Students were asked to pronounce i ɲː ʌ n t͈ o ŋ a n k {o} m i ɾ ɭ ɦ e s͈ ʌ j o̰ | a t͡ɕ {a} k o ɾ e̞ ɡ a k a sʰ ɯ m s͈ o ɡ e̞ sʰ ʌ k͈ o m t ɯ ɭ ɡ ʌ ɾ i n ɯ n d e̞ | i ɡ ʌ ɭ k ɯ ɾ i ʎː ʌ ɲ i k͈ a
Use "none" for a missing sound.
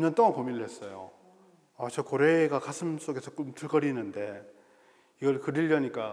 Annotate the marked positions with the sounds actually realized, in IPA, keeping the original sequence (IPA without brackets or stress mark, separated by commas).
o, ʌ